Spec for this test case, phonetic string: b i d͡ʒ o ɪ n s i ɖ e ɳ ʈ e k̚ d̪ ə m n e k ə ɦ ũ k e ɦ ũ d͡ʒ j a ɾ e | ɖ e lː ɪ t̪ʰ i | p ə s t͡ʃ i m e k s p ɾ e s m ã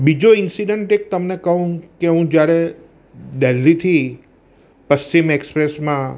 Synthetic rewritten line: b i d͡ʒ o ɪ n s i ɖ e ɳ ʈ e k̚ t̪ ə m n e k ə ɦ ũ k e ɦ ũ d͡ʒ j a ɾ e | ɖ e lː i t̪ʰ i | p ə s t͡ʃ i m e k s p ɾ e s m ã